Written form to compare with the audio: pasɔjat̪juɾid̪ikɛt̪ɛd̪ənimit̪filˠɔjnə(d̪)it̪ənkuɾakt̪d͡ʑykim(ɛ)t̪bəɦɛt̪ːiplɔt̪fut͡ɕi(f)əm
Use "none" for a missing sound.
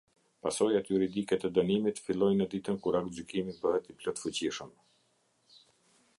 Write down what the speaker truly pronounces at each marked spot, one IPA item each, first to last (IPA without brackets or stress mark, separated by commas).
d̪, i, ʃ